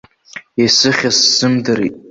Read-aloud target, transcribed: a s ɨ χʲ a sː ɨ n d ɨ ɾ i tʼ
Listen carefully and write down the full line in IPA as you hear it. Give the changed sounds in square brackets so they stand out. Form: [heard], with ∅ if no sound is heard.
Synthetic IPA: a s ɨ χʲ a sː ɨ [m] d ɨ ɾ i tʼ